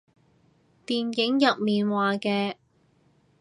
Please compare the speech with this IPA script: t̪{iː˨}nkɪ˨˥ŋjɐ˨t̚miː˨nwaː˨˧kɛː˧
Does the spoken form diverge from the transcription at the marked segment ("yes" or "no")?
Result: no